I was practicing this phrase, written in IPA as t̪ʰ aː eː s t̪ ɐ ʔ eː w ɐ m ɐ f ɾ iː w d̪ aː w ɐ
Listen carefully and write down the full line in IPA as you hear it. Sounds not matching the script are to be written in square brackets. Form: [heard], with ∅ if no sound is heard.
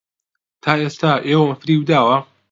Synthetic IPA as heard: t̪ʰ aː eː s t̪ [a] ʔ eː w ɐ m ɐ f ɾ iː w d̪ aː w ɐ